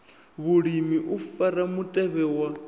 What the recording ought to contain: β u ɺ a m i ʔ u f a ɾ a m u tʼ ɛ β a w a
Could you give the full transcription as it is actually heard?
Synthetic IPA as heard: β u ɺ i m i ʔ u f a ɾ a m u tʼ ɛ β ɛ w a